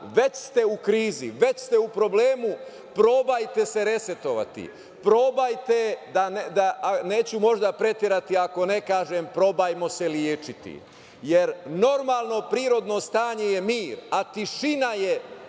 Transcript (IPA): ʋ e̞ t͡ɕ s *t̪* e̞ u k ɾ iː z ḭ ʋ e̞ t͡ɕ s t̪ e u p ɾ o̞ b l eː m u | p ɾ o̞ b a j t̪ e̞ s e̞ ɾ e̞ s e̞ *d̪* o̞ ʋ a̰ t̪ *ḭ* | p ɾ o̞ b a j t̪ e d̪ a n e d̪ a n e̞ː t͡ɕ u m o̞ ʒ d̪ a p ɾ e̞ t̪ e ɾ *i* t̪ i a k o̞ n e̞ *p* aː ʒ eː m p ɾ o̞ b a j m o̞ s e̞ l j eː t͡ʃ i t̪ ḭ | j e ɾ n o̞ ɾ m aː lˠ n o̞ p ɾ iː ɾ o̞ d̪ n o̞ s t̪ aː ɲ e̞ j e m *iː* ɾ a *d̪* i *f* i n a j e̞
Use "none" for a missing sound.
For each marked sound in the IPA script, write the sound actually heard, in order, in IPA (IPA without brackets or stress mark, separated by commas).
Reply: t̪, t̪, ḭ, a, k, iː, t̪, ʃ